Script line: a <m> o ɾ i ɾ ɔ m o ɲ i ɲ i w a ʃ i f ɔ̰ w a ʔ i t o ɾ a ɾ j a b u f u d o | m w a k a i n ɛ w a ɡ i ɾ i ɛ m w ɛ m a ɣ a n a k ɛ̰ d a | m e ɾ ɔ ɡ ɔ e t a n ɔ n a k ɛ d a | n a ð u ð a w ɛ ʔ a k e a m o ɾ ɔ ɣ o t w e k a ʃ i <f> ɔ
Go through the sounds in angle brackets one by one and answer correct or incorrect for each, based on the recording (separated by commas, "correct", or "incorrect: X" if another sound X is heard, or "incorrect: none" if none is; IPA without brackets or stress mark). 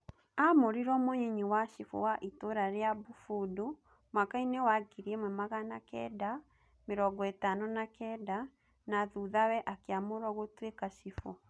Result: correct, correct